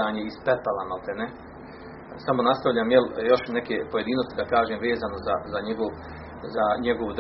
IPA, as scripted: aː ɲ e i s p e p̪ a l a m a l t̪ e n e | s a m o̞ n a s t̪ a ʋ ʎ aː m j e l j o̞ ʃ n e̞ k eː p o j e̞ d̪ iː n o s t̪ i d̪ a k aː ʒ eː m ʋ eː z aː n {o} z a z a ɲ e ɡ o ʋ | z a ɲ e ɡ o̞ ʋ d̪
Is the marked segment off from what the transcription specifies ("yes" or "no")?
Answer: no